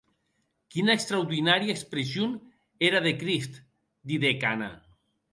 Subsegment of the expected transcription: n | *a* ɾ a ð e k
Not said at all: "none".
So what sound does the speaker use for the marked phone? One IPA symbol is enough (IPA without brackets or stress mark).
e